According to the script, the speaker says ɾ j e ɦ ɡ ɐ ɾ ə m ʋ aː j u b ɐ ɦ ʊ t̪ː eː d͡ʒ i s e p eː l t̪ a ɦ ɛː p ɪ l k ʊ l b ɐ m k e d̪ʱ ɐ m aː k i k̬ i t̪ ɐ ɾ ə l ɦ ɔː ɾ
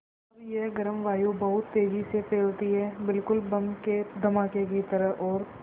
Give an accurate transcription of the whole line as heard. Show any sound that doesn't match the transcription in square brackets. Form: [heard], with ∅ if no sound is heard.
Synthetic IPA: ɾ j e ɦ ɡ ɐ ɾ ə m ʋ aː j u b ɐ ɦ ʊ t̪ː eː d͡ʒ i s e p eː l t̪ [i] ɦ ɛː [b] ɪ l k ʊ l b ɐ m k e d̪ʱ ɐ m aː k [e] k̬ i t̪ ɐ ɾ ə [∅] ɦ ɔː ɾ